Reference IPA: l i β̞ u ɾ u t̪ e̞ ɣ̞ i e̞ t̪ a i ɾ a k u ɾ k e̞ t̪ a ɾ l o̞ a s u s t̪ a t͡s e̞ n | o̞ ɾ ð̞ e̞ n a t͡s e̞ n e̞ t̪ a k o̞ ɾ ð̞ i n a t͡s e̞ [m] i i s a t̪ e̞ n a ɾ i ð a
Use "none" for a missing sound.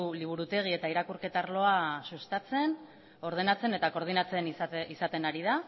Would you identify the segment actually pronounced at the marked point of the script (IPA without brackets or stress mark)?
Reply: n